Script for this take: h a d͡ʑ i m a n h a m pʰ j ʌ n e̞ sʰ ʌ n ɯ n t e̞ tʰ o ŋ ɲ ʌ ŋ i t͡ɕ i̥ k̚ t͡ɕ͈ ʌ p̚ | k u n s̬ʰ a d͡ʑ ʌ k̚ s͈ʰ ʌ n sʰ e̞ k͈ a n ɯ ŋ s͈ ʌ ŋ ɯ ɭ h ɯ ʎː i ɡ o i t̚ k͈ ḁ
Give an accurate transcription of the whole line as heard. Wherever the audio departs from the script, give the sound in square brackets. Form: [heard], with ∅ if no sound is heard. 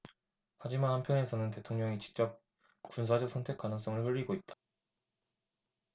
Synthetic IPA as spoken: h a d͡ʑ i m a n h a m pʰ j ʌ n e̞ sʰ ʌ n ɯ n t e̞ tʰ o ŋ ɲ ʌ ŋ i t͡ɕ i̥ k̚ t͡ɕ͈ ʌ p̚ | k u n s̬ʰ a d͡ʑ ʌ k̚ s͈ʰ ʌ n [tʰ] e̞ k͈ a n ɯ ŋ s͈ ʌ ŋ ɯ ɭ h ɯ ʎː i ɡ o i t̚ [t͈] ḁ